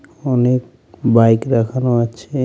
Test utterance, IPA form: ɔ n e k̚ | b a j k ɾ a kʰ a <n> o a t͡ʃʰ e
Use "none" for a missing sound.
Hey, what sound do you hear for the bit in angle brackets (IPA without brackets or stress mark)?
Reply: n